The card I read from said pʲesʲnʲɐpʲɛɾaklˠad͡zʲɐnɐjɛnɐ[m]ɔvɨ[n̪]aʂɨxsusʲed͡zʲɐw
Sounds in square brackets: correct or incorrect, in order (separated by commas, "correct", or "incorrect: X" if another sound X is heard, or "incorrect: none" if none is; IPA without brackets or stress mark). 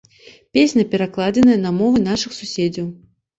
correct, correct